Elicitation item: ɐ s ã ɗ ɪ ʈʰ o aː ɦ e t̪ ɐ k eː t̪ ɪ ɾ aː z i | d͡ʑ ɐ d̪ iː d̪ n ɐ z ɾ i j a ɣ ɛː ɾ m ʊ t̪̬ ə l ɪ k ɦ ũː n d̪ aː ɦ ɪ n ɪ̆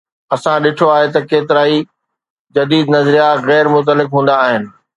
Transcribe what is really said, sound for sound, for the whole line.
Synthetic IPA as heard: ɐ s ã ɗ ɪ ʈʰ o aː ɦ e t̪ ɐ k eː t̪ ɪ ɾ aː i | d͡ʑ ɐ d̪ iː d̪ n ɐ z ɾ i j a ɣ ɛː ɾ m ʊ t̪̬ ə l ɪ k ɦ ũː n d̪ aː ɦ ɪ n ɪ̆

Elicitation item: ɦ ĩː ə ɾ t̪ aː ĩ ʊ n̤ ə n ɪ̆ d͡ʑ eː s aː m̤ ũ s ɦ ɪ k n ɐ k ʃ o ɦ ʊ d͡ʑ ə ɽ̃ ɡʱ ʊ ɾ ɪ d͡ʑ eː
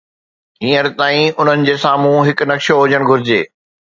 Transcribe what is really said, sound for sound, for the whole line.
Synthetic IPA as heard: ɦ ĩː ə ɾ t̪ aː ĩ ʊ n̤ ə n ɪ̆ d͡ʑ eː s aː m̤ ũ ɦ ɪ k n ɐ k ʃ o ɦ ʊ d͡ʑ ə ɽ̃ ɡʱ ʊ ɾ ɪ d͡ʑ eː

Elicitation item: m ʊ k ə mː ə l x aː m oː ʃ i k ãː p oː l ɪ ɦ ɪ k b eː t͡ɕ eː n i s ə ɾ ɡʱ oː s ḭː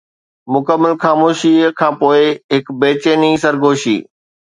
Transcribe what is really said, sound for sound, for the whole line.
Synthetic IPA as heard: m ʊ k ə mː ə l x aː m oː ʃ i kʰ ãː p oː ɪ ɦ ɪ k b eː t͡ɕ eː n i s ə ɾ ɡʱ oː ʃ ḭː

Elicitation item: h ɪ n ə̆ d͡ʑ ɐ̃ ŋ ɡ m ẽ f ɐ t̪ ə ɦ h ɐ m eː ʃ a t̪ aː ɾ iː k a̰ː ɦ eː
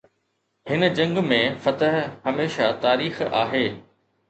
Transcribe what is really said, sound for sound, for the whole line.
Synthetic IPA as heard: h ɪ n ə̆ d͡ʑ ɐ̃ ŋ ɡ m ẽ f ɐ t̪ ə ɦ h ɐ m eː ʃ a t̪ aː ɾ iː x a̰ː ɦ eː

